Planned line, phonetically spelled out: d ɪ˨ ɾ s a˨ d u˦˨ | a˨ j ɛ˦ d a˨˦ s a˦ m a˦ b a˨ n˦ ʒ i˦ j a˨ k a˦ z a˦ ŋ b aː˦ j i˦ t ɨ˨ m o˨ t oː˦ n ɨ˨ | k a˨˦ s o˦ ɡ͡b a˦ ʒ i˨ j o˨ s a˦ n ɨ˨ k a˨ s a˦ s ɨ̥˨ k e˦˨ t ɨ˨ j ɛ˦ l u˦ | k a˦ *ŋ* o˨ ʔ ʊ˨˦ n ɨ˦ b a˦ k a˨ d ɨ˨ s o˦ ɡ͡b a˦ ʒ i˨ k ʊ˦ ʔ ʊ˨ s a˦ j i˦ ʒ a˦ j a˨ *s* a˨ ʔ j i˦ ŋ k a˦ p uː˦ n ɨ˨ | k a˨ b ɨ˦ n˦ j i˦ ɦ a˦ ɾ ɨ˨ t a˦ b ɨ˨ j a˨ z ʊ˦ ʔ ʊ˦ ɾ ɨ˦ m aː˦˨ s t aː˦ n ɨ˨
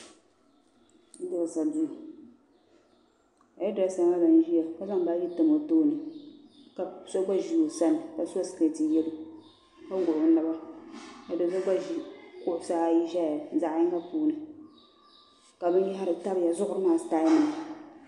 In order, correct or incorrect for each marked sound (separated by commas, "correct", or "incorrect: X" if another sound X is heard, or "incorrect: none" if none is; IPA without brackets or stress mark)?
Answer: incorrect: ɡ, incorrect: z